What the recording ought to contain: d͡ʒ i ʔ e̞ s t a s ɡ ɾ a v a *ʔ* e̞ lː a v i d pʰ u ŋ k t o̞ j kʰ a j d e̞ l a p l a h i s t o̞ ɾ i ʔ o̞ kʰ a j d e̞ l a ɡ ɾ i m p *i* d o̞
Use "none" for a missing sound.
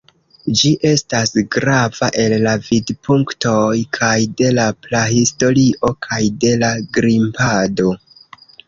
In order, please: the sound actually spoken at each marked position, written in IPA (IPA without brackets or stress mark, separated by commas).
ʔ, a